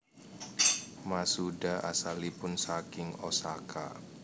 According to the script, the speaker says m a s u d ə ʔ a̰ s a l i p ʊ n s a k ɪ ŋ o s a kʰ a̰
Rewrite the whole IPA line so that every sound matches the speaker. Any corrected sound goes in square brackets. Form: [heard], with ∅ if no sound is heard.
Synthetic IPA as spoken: m a s u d [a] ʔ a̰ s a l i p ʊ n s a k ɪ ŋ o s a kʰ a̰